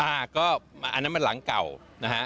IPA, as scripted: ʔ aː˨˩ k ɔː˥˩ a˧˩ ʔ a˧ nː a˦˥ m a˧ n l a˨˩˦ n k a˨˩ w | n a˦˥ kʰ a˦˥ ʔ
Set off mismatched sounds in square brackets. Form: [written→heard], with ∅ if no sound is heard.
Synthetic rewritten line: ʔ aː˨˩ k ɔː˥˩ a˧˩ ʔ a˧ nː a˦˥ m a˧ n l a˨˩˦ [n→ŋ] k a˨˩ w | n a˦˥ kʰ a˦˥ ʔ